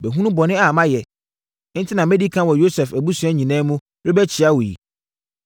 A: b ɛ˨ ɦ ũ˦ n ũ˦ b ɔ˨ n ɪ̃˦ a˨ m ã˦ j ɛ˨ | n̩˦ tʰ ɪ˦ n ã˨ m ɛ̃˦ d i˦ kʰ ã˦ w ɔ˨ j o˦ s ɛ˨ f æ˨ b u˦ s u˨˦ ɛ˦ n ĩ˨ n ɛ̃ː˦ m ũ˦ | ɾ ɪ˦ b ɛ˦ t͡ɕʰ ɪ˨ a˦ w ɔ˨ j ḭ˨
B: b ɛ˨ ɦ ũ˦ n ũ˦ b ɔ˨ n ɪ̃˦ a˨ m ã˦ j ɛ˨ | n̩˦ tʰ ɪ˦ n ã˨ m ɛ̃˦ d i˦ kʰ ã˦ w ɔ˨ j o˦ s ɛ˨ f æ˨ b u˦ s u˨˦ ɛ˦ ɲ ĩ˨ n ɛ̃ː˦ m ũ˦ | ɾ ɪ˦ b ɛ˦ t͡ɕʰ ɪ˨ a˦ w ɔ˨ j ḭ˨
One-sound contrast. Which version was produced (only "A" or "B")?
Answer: B